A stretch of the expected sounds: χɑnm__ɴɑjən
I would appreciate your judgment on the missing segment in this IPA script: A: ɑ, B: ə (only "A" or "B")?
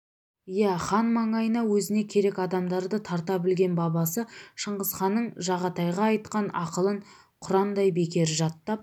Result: A